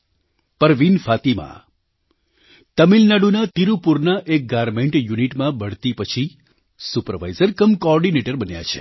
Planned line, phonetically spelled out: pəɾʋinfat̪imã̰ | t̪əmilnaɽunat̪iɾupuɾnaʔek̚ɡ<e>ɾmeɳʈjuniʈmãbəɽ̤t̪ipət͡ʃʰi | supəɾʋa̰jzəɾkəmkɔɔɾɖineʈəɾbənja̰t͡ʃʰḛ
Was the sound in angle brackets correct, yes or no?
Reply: no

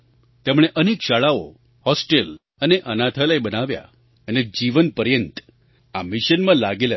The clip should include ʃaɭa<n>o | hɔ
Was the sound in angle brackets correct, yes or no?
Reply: no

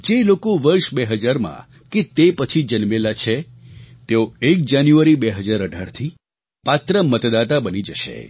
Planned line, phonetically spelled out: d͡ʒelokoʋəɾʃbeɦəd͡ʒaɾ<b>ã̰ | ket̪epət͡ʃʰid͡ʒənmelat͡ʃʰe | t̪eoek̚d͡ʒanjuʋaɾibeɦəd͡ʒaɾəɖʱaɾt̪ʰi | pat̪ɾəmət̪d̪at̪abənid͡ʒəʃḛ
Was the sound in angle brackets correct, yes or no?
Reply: no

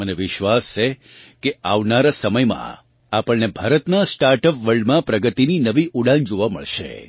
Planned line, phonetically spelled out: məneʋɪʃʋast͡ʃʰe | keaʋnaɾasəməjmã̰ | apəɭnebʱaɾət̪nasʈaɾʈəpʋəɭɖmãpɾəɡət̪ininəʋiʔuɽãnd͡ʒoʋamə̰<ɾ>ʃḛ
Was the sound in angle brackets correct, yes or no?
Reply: no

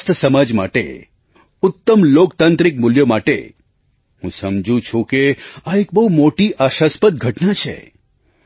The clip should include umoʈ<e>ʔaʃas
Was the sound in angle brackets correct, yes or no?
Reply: no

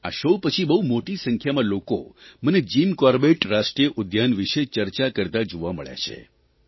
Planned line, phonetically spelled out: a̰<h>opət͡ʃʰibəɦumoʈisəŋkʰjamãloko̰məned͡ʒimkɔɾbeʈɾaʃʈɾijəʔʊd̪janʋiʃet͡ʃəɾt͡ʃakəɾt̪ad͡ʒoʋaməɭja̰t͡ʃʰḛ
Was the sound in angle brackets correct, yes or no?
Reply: no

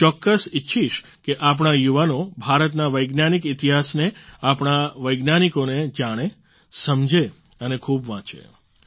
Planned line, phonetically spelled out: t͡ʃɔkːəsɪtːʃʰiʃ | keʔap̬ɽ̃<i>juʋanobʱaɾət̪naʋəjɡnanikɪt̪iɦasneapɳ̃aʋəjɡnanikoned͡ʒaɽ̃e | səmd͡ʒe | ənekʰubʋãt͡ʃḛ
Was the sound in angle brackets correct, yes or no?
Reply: no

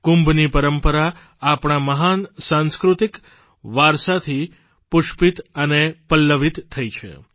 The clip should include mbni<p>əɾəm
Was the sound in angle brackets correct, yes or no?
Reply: yes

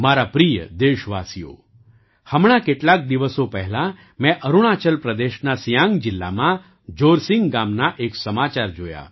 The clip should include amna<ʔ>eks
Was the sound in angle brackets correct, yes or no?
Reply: yes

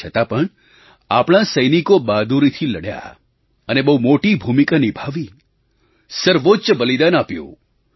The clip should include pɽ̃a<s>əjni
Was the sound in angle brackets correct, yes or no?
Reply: yes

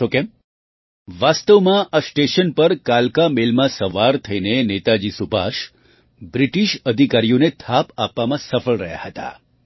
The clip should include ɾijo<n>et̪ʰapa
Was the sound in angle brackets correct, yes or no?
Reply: yes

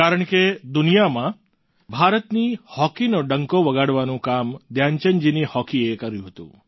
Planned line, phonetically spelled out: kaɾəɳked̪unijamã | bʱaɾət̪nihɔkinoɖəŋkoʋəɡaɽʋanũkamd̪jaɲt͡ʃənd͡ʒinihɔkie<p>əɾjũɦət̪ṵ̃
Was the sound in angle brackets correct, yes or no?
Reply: no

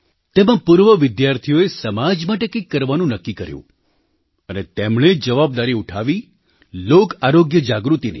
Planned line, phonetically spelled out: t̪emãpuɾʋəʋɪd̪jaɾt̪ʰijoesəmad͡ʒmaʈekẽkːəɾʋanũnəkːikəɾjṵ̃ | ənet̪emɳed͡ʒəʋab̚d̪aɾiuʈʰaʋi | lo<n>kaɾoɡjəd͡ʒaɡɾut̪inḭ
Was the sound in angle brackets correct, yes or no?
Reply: no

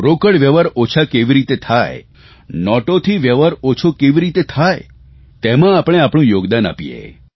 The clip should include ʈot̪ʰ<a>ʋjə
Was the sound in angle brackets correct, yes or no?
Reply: no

